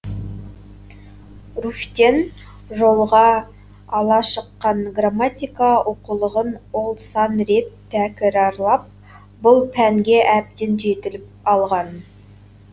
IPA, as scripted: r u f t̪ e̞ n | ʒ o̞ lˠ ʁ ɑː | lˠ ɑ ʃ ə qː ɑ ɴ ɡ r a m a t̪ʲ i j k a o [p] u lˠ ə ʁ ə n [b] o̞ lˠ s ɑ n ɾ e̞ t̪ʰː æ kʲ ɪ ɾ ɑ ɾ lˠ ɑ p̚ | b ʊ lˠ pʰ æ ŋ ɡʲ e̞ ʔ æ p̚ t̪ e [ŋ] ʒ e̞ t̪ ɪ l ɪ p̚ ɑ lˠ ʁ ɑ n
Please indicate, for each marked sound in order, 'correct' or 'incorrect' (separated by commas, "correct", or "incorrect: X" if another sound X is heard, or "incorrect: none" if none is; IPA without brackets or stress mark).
incorrect: q, incorrect: w, incorrect: n